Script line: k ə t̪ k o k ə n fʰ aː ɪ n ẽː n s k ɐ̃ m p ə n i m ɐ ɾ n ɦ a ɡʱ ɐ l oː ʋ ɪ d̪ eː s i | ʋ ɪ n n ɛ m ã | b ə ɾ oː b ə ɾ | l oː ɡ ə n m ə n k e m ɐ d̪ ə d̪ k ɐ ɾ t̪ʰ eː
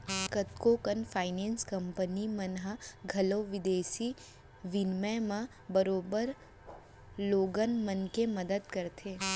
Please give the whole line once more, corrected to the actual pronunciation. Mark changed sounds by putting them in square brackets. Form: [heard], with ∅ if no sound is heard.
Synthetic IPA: k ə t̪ k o k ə n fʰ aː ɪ n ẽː n s k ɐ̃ m p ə n i m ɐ [∅] n ɦ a ɡʱ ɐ l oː ʋ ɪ d̪ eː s i | ʋ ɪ n [m] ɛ m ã | b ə ɾ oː b ə ɾ | l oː ɡ ə n m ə n k e m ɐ d̪ ə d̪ k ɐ ɾ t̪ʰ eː